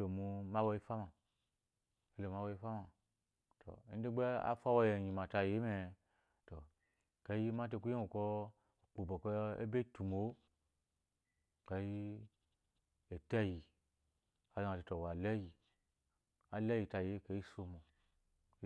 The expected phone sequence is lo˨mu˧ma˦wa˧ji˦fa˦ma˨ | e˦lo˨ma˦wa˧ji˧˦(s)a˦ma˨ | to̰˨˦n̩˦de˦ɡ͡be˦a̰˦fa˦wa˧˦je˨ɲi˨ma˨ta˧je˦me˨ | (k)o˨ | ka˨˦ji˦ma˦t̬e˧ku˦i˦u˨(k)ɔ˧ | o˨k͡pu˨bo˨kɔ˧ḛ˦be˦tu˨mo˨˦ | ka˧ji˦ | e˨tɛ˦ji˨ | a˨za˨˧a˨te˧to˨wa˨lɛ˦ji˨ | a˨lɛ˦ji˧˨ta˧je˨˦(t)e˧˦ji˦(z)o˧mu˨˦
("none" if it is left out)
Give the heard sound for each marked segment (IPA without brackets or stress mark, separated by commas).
f, t, k, k, s